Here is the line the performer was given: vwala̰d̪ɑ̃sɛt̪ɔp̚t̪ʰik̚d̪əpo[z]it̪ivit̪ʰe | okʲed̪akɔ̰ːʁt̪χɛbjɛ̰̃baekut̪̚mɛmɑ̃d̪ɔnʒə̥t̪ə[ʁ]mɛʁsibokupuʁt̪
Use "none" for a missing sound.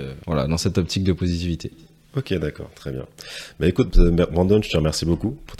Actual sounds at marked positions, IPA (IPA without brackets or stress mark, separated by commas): z, ʁ